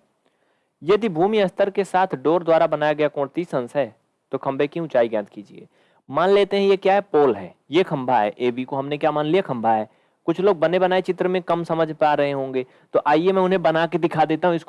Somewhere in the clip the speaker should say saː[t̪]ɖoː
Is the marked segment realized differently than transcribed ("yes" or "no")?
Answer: yes